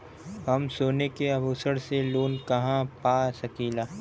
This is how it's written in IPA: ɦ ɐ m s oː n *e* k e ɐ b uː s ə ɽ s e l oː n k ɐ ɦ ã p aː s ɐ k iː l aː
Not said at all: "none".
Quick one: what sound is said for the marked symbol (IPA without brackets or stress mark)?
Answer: e